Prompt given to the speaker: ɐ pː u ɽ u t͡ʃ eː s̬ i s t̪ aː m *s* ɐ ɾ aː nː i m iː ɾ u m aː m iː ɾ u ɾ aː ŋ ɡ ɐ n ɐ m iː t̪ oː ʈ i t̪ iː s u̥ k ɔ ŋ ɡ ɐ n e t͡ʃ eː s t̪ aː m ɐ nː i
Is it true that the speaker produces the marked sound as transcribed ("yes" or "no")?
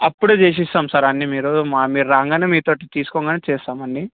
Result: yes